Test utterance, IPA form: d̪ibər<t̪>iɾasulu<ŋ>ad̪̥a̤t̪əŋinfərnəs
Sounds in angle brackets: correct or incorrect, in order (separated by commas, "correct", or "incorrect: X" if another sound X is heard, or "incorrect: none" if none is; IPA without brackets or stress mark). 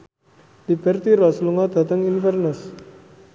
correct, correct